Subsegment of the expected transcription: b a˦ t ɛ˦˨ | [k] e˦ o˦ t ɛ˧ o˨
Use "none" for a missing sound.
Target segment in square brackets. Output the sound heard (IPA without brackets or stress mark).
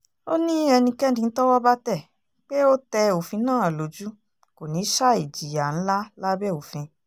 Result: k͡p